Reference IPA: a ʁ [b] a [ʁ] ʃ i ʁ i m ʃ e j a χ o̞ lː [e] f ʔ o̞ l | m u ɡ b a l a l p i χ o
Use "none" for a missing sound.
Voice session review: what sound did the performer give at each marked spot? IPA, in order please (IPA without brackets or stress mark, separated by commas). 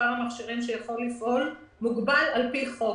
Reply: m, χ, i